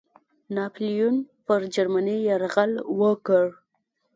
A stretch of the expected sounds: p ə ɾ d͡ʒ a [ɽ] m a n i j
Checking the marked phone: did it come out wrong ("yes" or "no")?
yes